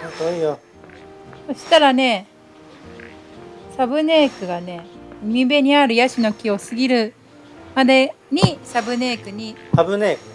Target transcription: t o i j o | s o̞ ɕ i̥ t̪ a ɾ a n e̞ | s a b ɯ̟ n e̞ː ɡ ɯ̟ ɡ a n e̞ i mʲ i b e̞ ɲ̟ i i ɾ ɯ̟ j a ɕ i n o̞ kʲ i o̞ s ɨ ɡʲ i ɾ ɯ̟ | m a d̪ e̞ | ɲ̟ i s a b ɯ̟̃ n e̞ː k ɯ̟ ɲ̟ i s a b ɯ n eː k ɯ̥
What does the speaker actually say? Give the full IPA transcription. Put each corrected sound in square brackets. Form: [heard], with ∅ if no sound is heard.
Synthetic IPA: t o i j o | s o̞ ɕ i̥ t̪ a ɾ a n e̞ | s a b ɯ̟ n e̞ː [k] ɯ̟ ɡ a n e̞ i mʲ i b e̞ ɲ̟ i [a] ɾ ɯ̟ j a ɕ i n o̞ kʲ i o̞ s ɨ ɡʲ i ɾ ɯ̟ | m a d̪ e̞ | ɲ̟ i s a b [ɯ̟] n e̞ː k ɯ̟ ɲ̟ i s a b ɯ n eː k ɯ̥